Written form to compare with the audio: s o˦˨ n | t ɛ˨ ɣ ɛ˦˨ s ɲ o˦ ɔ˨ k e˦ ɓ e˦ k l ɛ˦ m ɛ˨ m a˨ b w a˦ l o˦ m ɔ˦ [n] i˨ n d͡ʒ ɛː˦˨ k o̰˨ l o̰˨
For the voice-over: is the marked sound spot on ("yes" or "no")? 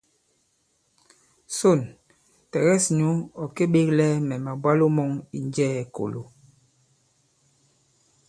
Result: no